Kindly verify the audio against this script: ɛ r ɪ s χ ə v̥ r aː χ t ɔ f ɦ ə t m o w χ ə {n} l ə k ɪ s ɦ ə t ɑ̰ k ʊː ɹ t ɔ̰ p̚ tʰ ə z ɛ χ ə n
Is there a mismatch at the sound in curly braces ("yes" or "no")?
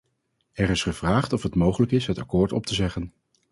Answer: yes